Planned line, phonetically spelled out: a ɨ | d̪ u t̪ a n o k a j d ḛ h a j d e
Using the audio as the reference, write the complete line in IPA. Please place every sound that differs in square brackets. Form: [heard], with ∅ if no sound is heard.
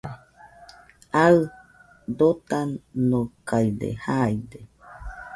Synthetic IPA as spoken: a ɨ | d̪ [o] t̪ a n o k a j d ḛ h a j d e